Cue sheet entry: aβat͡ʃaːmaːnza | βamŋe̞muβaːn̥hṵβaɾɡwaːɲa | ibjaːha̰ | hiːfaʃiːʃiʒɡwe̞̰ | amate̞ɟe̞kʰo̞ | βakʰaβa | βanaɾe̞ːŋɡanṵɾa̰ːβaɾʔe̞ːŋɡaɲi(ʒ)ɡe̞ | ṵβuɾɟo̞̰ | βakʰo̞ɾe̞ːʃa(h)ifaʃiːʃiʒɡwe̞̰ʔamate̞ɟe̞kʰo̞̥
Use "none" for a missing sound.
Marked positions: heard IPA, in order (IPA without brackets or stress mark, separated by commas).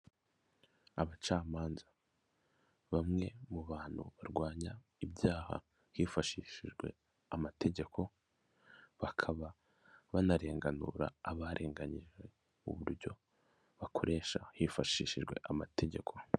ʒ, h